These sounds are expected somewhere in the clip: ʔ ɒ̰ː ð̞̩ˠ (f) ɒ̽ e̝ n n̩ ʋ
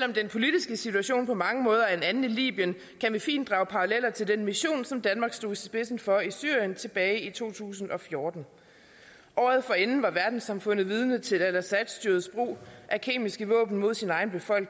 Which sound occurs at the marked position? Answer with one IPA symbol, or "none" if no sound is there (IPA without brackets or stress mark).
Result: f